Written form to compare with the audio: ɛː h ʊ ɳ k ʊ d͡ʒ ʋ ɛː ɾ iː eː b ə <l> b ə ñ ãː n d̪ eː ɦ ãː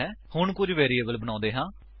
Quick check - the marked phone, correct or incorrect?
correct